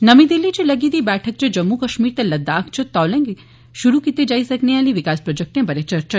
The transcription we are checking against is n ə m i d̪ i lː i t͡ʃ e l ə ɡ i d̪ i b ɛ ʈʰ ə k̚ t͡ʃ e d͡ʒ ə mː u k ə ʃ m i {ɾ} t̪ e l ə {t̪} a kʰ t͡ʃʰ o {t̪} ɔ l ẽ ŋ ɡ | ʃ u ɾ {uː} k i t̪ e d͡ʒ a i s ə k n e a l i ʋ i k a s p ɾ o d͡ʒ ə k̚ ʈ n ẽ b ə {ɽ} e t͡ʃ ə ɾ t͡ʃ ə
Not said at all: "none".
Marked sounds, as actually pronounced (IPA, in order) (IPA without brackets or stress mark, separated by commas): ɾ, d̪, t̪, u, ɾ